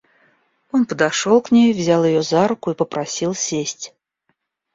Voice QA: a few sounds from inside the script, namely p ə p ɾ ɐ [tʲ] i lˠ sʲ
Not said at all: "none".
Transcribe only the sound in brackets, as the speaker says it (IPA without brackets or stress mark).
sʲ